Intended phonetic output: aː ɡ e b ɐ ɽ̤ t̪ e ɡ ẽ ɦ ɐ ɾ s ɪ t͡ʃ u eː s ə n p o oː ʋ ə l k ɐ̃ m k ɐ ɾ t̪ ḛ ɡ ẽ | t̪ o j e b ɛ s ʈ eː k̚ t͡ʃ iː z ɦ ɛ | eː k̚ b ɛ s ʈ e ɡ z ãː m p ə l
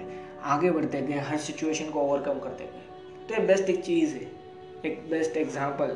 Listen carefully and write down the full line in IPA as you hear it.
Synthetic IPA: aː ɡ e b ɐ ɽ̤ t̪ e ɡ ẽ ɦ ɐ ɾ s ɪ t͡ʃ u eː ʃ ə n k o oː ʋ ə ɾ k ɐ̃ m k ɐ ɾ t̪ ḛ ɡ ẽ | t̪ o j e b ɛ s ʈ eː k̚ t͡ʃ iː z ɦ ɛ | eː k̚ b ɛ s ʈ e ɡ z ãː m p ə l